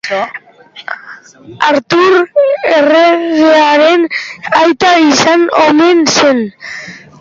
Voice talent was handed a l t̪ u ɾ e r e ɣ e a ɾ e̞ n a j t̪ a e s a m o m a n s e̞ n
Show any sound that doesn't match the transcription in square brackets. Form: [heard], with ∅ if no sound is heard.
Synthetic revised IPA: a [ɾ] t̪ u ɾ e r e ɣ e a ɾ e̞ n a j t̪ a [i] s a [n] o m [e] n s e̞ n